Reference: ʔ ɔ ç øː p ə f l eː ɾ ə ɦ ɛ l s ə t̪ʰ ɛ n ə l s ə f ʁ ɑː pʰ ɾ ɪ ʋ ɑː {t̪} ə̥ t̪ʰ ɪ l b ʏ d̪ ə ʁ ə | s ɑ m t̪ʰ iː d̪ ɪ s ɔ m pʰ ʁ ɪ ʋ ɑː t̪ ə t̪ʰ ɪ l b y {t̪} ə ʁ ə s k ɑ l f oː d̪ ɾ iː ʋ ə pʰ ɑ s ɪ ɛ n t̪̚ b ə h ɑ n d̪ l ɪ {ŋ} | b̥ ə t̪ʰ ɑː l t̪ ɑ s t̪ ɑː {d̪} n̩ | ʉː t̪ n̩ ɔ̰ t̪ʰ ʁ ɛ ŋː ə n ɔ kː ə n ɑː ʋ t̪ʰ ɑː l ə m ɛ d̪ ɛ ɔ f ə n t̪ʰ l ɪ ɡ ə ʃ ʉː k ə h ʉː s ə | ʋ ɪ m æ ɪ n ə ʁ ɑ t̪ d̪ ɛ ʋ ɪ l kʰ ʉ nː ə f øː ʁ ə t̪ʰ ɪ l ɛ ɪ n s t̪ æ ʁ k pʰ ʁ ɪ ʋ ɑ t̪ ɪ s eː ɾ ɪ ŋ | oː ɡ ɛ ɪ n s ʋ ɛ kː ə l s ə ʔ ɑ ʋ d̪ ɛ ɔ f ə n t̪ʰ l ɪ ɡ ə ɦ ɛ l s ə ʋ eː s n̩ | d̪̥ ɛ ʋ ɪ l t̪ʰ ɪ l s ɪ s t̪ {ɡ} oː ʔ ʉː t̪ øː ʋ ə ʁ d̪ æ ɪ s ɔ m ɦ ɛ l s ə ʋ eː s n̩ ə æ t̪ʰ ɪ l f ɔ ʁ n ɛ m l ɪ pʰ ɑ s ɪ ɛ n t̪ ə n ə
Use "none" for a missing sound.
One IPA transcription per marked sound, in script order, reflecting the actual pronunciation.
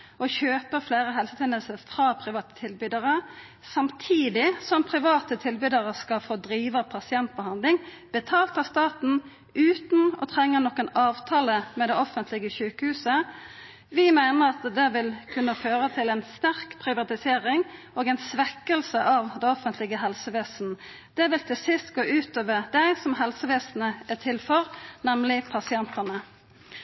t̪, d̪, ŋ, t̪, ɡ

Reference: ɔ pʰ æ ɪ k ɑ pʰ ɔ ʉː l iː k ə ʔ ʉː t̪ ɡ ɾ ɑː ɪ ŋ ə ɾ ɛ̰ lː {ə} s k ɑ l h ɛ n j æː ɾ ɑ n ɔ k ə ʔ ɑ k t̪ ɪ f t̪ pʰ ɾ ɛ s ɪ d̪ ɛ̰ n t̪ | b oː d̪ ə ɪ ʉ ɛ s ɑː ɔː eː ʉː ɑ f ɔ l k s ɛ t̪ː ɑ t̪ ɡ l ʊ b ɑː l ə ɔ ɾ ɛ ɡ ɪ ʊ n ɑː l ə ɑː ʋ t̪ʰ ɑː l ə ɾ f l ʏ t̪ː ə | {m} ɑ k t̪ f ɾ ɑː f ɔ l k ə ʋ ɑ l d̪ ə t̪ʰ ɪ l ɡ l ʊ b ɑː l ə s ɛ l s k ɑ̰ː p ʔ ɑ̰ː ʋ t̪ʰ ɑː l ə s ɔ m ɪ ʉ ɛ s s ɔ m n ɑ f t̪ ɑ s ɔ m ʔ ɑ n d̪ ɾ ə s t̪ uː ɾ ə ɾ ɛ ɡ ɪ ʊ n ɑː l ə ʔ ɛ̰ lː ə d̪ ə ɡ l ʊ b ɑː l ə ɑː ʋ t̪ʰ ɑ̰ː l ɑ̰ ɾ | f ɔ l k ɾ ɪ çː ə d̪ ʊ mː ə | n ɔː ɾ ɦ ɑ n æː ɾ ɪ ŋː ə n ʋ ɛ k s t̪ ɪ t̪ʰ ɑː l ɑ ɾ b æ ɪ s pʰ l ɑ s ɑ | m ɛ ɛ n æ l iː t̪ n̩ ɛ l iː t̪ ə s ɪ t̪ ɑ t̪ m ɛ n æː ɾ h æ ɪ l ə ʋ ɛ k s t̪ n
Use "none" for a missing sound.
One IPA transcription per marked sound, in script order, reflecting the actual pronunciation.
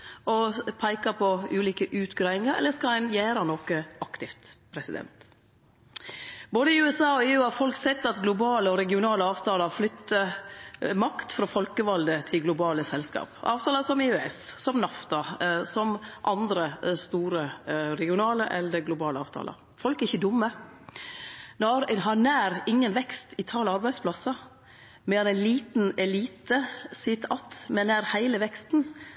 ə, m

